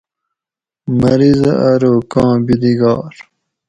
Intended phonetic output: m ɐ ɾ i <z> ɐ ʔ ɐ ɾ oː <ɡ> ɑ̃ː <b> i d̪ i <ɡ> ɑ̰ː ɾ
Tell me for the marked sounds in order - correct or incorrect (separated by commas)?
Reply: correct, incorrect, correct, correct